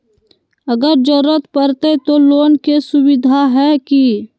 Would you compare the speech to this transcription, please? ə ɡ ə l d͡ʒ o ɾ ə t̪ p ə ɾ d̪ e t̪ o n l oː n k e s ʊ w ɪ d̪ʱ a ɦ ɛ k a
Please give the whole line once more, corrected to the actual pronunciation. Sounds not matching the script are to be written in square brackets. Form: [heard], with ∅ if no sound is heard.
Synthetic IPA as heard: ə ɡ ə [ɾ] d͡ʒ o ɾ ə t̪ p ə ɾ [t̪] e t̪ o [∅] l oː n k e s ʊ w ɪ d̪ʱ a ɦ ɛ k [i]